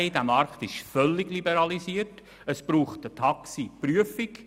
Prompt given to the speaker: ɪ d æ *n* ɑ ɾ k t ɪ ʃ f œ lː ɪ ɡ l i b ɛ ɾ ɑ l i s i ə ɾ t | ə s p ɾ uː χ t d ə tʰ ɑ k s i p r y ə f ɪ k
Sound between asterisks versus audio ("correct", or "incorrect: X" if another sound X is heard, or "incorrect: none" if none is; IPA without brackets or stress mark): incorrect: m